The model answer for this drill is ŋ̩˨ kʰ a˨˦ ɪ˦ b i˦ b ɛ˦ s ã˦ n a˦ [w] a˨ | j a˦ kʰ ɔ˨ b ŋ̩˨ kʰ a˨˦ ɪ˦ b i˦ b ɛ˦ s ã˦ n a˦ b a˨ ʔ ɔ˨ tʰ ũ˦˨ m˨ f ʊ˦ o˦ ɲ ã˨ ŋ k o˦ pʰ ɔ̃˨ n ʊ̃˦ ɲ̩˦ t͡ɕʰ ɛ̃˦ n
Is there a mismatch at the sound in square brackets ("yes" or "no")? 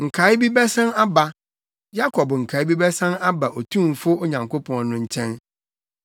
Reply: yes